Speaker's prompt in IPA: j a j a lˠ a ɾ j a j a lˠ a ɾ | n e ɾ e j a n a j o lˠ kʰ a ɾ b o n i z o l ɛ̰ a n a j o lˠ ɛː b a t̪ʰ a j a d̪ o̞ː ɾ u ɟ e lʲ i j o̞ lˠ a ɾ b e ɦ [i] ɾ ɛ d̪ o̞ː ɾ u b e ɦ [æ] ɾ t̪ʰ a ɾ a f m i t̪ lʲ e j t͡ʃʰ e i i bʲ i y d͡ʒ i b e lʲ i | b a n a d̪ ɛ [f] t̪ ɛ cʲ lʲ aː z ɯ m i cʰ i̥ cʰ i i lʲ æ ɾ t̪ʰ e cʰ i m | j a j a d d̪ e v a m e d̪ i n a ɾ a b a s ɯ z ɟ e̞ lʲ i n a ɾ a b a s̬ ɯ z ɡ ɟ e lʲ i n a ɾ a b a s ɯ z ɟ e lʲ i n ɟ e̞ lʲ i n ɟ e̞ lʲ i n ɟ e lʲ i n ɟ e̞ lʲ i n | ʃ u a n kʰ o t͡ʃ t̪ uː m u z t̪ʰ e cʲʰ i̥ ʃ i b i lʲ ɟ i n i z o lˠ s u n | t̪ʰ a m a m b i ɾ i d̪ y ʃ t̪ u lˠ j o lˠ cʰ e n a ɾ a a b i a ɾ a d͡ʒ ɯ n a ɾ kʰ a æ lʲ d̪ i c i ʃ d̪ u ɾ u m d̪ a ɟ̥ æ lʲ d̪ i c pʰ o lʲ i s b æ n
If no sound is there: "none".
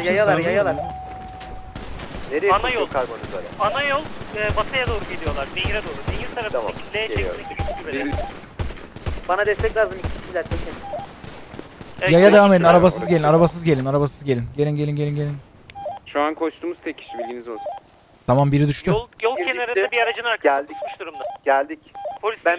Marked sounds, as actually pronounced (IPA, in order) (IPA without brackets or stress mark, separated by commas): i, i, s